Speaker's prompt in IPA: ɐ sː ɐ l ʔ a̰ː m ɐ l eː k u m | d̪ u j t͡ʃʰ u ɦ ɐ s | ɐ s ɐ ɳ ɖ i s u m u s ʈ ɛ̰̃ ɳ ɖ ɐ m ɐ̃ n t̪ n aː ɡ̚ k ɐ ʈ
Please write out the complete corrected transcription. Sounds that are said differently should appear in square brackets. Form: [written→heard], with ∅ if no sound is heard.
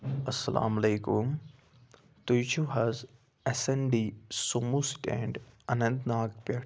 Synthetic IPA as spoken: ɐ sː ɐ l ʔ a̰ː m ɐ l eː k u m | [d̪→t̪] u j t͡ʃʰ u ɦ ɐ [s→z] | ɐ s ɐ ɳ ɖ i s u m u s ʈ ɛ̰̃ ɳ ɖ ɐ [m→n] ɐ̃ n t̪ n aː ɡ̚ [k→p] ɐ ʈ